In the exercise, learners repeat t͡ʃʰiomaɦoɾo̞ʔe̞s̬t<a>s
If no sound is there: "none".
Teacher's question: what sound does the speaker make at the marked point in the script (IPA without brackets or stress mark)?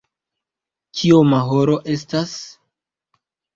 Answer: a